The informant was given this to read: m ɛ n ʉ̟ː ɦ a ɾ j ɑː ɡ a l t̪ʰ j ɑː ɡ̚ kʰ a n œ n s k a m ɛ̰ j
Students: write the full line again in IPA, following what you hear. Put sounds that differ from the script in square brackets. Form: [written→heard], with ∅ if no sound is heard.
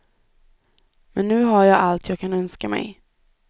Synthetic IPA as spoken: m ɛ [n→nː] ʉ̟ː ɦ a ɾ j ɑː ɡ a l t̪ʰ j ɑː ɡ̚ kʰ a n œ n s k a m ɛ̰ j